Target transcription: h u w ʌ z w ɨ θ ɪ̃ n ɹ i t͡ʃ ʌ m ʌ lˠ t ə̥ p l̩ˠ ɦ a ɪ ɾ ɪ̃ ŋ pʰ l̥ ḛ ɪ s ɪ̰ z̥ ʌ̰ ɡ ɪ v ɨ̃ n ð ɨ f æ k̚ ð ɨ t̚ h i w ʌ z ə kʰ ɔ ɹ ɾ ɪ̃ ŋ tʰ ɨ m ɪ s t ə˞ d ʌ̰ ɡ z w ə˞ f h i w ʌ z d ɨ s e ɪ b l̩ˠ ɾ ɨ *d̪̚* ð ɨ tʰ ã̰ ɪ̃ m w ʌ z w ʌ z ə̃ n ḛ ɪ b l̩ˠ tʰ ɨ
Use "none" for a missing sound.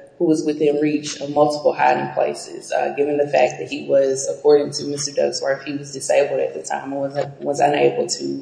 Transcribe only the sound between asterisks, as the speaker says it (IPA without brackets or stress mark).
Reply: t̪̚